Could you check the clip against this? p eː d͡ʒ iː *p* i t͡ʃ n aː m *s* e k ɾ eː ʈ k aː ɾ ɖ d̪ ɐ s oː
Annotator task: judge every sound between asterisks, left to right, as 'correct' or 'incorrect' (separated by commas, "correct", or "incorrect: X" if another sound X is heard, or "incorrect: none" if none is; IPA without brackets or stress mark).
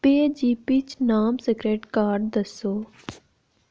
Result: correct, correct